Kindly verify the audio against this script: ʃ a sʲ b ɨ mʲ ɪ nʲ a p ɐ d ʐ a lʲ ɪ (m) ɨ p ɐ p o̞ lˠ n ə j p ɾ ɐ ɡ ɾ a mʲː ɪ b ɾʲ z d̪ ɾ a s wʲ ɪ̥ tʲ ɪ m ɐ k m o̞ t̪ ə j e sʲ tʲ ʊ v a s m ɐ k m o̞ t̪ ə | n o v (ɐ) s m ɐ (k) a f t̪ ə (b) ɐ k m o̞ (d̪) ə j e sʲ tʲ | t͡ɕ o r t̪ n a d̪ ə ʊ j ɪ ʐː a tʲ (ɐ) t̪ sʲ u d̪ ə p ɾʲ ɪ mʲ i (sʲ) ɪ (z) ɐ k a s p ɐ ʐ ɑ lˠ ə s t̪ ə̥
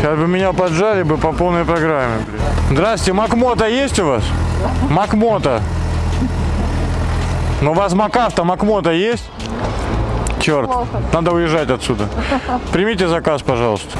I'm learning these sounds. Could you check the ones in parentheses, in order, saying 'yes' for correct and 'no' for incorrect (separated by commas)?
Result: no, no, yes, no, no, yes, no, yes